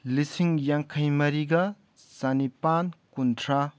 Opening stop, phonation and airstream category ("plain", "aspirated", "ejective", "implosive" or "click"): aspirated